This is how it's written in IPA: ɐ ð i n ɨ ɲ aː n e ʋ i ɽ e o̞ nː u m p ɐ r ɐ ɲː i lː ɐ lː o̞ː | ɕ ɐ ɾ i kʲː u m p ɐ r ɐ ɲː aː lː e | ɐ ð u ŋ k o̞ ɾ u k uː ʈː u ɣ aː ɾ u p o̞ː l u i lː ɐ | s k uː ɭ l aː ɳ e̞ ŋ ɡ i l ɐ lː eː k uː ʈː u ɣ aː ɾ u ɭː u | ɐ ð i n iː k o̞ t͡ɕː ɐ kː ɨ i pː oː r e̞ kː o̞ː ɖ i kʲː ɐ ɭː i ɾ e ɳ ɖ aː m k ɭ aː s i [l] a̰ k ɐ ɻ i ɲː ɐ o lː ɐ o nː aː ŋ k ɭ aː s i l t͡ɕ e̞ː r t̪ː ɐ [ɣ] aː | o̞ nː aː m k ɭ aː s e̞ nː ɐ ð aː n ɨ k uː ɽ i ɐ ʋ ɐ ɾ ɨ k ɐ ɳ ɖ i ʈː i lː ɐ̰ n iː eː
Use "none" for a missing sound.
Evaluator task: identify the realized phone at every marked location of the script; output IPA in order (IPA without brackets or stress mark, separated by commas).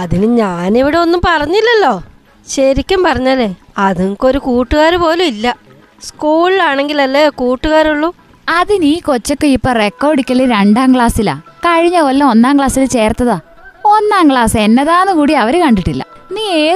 l, ð